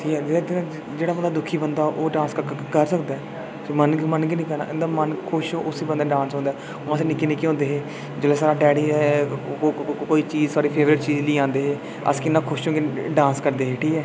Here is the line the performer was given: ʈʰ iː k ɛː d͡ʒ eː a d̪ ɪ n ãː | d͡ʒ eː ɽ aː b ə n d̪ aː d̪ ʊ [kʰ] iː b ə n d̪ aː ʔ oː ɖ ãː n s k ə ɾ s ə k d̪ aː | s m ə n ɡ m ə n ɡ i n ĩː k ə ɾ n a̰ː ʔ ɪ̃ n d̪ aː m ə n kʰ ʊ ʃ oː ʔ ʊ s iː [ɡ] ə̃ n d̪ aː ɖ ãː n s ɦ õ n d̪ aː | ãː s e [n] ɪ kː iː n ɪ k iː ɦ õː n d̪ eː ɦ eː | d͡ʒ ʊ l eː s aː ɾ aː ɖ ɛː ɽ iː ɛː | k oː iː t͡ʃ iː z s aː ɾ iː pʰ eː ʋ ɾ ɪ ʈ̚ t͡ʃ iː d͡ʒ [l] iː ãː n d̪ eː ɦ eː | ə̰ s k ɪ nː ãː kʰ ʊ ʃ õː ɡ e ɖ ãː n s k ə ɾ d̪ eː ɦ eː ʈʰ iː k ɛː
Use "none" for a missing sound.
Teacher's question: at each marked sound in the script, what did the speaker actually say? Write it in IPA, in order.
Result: kʰ, b, n, l

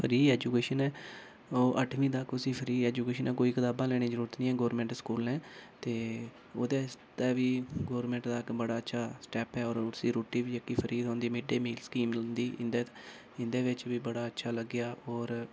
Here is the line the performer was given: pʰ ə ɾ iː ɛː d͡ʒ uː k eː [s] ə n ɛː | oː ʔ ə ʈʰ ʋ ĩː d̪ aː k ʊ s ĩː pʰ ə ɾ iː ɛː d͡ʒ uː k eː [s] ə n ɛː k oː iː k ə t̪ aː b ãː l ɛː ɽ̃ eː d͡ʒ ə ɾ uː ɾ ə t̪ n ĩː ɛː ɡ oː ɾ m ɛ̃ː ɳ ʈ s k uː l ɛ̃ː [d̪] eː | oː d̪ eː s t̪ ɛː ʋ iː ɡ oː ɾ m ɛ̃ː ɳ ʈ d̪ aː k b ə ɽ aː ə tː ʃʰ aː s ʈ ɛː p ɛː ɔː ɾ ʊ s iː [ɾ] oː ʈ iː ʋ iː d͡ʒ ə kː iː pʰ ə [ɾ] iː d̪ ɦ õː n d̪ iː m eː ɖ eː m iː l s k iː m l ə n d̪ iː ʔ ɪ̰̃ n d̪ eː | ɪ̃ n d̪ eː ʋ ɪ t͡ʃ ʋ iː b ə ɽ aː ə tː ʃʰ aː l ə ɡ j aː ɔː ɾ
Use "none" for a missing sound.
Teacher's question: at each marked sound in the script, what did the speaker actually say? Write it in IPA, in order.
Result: ʃ, ʃ, t̪, ɾ, ɾ

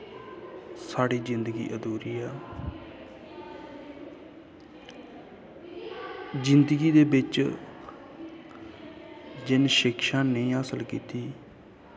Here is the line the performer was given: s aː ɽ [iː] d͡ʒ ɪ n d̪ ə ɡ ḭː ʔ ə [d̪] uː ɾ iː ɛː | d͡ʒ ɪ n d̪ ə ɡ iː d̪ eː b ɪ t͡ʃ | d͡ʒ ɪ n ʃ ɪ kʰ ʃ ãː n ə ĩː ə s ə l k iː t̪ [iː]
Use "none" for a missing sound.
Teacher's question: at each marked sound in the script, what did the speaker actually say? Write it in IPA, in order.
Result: iː, d̪, iː

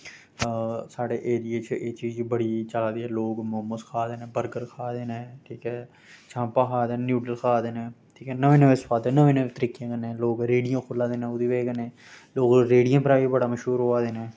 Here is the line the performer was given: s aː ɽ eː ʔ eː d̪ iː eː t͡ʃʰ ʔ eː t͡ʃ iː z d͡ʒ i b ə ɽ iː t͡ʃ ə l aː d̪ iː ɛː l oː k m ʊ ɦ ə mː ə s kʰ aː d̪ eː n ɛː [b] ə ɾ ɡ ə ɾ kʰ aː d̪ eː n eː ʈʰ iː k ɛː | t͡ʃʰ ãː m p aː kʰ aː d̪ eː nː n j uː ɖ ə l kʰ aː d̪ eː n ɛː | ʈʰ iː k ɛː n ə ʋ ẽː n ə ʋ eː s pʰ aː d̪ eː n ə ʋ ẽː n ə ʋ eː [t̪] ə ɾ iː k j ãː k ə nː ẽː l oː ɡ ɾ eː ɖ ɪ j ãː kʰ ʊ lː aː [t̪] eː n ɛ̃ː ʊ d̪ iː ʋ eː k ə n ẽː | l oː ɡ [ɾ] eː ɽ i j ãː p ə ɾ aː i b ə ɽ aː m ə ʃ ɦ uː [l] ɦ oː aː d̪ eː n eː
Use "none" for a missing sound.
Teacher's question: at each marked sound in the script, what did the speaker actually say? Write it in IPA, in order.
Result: b, t̪, d̪, ɾ, ɾ

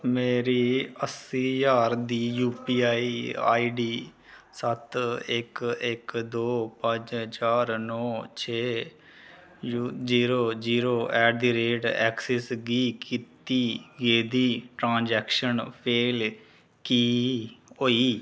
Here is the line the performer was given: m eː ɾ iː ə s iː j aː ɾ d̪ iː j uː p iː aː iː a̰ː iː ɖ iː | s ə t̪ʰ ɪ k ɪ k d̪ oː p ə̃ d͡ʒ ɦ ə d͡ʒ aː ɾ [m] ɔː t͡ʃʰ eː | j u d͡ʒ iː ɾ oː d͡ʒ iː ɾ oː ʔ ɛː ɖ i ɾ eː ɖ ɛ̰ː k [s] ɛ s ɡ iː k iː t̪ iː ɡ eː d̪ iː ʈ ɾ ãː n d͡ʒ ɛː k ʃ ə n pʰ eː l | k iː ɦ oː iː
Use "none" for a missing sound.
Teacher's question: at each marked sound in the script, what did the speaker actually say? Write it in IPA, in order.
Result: n, s

